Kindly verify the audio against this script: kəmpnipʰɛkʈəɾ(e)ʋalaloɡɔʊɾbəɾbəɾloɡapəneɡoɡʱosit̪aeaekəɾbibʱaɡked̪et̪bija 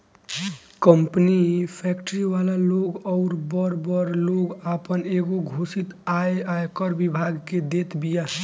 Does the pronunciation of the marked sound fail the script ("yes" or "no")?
yes